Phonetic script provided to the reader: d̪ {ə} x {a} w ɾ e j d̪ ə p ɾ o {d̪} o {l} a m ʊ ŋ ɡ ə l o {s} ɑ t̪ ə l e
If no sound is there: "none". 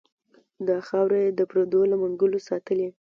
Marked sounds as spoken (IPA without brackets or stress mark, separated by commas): ɑ, ɑ, d̪, l, s